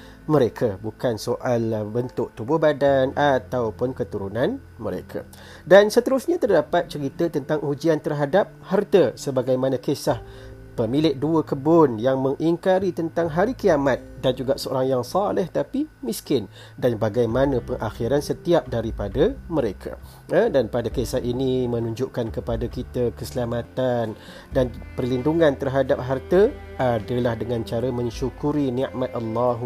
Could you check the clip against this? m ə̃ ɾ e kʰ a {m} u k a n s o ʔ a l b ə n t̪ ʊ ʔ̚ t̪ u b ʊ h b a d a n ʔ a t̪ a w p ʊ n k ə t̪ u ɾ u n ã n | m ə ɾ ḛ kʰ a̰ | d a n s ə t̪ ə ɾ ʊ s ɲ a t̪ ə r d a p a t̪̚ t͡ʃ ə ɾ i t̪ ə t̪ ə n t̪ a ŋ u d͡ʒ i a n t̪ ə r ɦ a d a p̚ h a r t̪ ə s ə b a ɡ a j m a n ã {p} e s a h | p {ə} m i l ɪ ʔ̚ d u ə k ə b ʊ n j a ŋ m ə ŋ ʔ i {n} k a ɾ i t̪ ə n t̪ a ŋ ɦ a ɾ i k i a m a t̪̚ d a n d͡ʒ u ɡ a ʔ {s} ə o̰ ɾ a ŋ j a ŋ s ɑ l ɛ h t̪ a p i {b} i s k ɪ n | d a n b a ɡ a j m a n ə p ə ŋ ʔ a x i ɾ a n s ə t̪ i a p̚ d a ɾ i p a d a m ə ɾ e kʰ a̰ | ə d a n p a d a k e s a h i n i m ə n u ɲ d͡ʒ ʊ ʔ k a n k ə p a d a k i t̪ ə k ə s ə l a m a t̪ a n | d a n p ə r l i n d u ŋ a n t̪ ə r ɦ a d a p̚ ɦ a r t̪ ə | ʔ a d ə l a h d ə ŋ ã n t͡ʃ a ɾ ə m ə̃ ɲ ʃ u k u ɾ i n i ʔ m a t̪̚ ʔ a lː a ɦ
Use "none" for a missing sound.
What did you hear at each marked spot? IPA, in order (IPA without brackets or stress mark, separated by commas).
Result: b, k, ə, ŋ, s, m